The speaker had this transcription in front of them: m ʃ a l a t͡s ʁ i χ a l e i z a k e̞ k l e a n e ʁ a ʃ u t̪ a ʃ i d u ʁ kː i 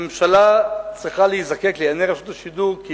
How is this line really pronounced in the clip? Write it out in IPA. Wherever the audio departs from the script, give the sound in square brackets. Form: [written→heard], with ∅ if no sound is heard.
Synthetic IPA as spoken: m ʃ a l a t͡s ʁ i χ a l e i z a k e̞ k l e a n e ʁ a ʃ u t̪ a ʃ i d u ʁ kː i